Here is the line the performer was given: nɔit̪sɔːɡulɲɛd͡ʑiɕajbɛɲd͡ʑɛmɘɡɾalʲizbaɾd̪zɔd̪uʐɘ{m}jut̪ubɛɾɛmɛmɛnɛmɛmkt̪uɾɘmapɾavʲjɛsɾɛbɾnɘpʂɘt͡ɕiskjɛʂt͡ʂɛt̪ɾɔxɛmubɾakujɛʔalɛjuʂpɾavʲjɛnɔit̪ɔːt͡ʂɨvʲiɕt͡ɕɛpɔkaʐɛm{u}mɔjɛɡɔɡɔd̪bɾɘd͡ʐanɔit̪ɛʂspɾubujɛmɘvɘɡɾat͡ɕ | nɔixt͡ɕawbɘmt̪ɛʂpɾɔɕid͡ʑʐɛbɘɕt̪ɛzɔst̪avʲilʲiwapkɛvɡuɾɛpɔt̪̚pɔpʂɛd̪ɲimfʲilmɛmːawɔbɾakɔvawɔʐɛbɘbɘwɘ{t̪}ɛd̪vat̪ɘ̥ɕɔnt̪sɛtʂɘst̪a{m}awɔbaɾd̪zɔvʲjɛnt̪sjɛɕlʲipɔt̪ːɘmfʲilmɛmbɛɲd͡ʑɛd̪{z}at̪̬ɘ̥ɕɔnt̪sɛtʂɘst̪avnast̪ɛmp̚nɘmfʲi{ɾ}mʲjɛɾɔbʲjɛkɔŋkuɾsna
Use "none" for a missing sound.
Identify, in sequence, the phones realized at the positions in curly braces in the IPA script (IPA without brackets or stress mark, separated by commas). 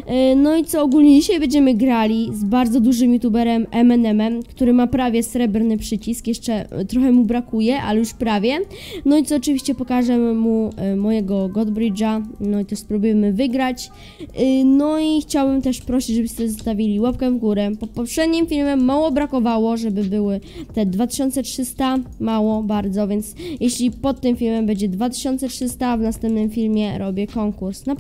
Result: m, u, t̪, m, v, l